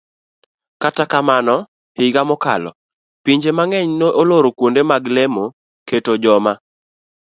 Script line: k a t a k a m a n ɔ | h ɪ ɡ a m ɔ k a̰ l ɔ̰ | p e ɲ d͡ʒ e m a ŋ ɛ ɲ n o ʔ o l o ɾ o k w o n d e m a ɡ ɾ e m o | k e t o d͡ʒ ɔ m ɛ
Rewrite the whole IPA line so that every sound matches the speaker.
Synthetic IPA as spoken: k a t a k a m a n ɔ | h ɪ ɡ a m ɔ k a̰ l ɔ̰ | p i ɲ d͡ʒ e m a ŋ ɛ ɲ n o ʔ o l o ɾ o k w o n d e m a ɡ l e m o | k e t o d͡ʒ ɔ m a